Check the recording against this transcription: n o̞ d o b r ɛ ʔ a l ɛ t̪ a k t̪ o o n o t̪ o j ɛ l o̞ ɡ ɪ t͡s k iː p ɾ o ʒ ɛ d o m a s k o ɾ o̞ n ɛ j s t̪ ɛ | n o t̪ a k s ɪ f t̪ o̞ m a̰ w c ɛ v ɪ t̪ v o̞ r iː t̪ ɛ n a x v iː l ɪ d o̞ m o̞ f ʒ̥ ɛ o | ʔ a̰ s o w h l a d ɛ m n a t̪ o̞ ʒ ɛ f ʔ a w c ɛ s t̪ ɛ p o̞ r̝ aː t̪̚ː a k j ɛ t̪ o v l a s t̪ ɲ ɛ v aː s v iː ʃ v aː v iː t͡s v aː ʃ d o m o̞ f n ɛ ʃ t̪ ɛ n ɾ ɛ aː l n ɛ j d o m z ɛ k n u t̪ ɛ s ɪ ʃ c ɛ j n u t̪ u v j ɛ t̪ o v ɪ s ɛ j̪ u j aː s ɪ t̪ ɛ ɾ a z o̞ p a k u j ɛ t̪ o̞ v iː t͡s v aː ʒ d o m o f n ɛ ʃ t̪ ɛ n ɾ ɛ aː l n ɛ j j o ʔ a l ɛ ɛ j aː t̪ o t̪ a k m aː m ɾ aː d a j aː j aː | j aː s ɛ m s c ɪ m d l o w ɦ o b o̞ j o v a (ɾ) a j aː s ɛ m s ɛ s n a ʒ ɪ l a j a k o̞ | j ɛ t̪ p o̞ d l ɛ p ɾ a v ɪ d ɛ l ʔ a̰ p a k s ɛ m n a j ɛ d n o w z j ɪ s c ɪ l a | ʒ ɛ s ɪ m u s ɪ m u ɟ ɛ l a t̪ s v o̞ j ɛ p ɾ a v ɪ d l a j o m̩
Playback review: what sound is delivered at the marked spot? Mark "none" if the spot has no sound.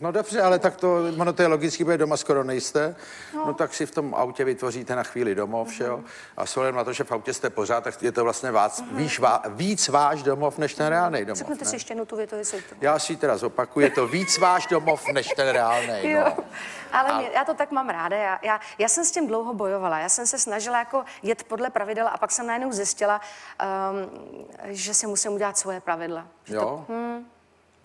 l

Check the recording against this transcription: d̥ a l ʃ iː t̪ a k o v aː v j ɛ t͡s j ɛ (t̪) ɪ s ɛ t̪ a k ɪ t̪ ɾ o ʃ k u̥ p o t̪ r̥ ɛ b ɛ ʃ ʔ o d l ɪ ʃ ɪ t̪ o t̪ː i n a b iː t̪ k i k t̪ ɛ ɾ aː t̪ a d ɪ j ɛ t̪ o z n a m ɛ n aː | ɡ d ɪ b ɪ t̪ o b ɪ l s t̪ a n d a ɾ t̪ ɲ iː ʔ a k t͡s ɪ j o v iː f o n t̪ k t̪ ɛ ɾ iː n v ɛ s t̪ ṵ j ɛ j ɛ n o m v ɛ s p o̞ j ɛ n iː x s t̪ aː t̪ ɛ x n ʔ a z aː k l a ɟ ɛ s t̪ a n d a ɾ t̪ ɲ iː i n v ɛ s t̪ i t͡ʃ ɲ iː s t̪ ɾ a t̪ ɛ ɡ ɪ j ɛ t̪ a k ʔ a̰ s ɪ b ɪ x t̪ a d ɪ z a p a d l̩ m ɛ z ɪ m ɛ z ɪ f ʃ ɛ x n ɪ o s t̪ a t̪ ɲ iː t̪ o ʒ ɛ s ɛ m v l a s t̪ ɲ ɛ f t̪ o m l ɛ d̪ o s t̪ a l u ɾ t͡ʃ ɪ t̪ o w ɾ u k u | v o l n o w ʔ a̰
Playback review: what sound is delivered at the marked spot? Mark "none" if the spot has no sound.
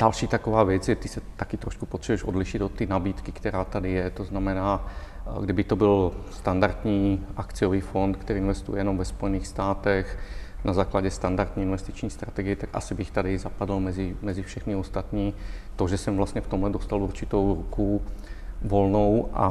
t̪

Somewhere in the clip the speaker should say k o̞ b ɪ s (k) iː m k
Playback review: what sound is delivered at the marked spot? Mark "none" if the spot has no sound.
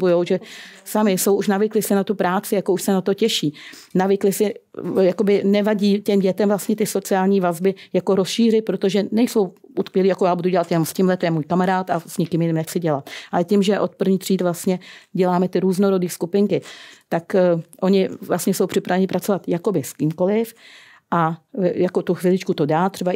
k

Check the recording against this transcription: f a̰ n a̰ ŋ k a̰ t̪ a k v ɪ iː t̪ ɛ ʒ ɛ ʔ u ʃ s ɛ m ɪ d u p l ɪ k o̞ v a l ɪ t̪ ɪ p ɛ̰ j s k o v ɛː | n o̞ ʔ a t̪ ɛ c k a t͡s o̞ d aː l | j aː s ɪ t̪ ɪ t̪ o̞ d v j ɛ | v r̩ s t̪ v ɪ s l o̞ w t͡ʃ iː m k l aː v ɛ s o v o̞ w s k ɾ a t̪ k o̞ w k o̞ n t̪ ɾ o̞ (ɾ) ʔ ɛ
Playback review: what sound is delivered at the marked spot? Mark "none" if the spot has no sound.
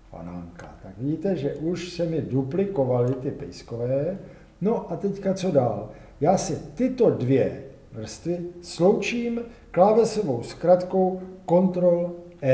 l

